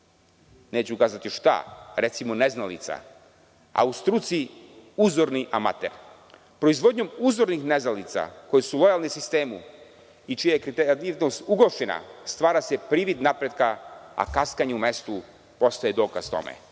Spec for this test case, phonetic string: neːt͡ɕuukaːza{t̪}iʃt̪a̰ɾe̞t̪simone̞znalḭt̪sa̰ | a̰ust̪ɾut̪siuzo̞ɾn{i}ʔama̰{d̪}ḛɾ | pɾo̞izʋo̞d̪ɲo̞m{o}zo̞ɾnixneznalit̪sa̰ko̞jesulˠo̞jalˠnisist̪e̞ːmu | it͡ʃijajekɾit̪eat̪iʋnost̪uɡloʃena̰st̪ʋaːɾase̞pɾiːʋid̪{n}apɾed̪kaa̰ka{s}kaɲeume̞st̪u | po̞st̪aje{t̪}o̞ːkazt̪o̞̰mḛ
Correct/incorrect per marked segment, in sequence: correct, correct, incorrect: t̪, incorrect: u, correct, correct, incorrect: d̪

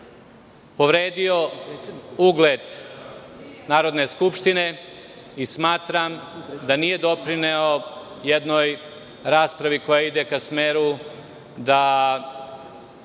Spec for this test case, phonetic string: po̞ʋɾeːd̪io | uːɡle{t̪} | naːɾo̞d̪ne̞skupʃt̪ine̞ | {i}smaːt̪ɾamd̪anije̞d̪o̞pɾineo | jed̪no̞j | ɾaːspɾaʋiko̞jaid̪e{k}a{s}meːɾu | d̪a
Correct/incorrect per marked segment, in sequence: incorrect: d̪, correct, correct, correct

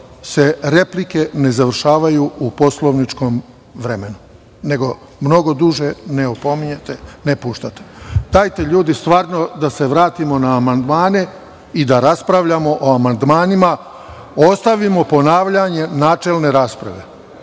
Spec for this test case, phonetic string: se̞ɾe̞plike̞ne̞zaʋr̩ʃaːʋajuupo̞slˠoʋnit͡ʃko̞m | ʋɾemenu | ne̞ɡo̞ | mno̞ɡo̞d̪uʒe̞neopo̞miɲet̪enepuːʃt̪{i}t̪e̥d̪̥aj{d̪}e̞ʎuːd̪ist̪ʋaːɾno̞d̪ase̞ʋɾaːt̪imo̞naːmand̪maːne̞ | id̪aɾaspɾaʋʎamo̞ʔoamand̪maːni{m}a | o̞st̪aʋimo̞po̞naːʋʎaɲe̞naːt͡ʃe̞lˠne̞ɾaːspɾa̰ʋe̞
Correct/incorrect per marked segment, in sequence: incorrect: a, incorrect: t̪, correct

